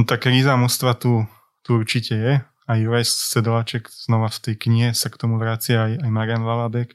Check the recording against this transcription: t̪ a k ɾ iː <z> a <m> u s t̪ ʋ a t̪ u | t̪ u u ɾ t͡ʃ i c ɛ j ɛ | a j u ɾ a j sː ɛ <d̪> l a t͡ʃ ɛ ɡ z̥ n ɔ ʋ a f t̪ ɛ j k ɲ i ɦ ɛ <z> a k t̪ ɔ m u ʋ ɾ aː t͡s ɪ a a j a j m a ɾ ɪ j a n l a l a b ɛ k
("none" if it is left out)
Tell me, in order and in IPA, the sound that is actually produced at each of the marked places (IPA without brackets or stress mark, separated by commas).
z, m, d̪, s